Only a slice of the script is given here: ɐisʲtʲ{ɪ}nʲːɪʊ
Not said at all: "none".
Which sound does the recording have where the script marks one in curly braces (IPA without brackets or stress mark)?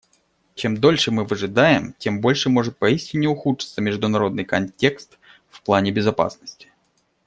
ɪ